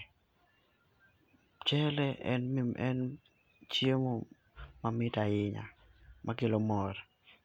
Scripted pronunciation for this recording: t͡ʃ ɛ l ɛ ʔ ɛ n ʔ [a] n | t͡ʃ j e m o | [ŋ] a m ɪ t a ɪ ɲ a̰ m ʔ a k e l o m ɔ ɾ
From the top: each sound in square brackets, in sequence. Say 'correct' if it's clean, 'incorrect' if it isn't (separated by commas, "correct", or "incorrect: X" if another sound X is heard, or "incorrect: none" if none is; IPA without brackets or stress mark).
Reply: incorrect: ɛ, incorrect: m